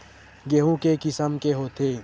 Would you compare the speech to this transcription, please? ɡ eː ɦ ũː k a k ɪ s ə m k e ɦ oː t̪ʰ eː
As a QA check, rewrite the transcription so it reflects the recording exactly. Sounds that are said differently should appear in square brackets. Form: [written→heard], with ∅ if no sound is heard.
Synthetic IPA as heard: ɡ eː ɦ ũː k [a→e] k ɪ s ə m k e ɦ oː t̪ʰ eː